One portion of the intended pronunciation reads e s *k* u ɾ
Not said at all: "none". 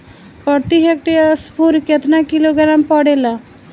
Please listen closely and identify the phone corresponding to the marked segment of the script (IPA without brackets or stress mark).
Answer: p